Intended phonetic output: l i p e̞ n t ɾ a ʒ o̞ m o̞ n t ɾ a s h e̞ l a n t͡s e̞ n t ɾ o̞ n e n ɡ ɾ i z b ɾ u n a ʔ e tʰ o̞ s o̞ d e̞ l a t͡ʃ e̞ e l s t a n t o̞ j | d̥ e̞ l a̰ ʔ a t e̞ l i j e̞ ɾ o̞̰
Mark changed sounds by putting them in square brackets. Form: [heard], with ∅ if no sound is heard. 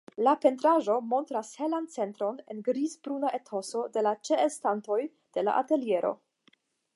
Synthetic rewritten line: l [a] p e̞ n t ɾ a ʒ o̞ m o̞ n t ɾ a s h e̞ l a n t͡s e̞ n t ɾ o̞ n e n ɡ ɾ i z b ɾ u n a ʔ e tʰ o̞ s o̞ d e̞ l a t͡ʃ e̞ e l s t a n t o̞ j | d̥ e̞ l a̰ ʔ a t e̞ l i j e̞ ɾ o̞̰